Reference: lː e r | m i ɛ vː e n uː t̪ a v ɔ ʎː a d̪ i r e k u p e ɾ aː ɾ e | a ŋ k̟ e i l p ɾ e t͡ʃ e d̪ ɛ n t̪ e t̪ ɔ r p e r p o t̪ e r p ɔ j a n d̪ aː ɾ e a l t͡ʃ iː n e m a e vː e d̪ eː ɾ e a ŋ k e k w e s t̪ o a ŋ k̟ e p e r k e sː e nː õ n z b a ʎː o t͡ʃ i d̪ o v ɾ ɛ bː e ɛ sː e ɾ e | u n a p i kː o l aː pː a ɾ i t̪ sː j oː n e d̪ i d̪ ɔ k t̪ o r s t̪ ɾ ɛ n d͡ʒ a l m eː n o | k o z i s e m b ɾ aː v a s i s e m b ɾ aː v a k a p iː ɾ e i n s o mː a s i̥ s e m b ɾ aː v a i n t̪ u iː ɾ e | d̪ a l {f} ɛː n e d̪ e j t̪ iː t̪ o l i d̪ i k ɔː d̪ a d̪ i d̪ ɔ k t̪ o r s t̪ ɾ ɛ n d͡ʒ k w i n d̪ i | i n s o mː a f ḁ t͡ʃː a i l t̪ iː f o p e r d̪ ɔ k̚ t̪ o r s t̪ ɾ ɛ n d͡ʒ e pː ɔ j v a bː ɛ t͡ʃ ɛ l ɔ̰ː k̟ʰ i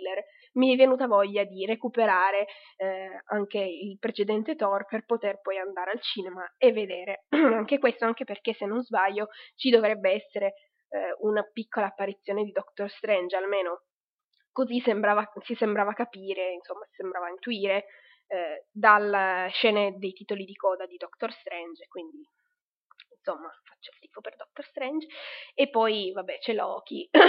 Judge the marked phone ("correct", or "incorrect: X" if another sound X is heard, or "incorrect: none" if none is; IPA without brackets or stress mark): incorrect: ʃ